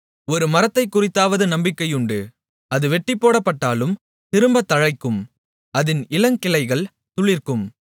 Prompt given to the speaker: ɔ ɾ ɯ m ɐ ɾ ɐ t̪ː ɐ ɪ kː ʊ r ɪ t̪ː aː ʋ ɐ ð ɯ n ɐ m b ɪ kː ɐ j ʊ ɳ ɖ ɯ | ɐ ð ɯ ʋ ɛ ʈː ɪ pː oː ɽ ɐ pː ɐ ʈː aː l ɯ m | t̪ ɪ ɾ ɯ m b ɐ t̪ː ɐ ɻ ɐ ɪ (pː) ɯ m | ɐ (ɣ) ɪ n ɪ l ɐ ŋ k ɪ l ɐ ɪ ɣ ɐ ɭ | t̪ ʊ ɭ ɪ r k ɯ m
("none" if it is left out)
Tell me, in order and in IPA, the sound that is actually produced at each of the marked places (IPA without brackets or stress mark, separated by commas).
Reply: kː, ð